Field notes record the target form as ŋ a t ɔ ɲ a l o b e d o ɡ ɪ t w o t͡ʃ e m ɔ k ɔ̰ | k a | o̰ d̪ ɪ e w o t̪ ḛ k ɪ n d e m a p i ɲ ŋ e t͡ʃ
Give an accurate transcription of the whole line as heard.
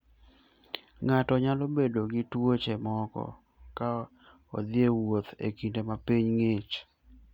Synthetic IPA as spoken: ŋ a t ɔ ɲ a l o b e d o ɡ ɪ t w o t͡ʃ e m ɔ k ɔ̰ | k a | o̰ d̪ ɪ e w o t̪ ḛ k i n d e m a p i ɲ ŋ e t͡ʃ

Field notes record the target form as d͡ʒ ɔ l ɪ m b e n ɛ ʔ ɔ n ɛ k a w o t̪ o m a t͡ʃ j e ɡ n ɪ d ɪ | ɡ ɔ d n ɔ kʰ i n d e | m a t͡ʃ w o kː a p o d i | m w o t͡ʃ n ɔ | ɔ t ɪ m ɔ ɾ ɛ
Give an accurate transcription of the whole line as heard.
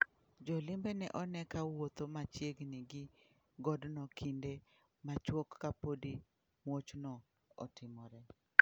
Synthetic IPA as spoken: d͡ʒ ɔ l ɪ m b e n ɛ ʔ ɔ n ɛ k a w o t̪ o m a t͡ʃ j e ɡ n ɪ ɡ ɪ | ɡ ɔ d n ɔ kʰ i n d e | m a t͡ʃ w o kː a p o d i | m w o t͡ʃ n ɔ | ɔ t ɪ m ɔ ɾ ɛ

